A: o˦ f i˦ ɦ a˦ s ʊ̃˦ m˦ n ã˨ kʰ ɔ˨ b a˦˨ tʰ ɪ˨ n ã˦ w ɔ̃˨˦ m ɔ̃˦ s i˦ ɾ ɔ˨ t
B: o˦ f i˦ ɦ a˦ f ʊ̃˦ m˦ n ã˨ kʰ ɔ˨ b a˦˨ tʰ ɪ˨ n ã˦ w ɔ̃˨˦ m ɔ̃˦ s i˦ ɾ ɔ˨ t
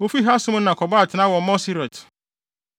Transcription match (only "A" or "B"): A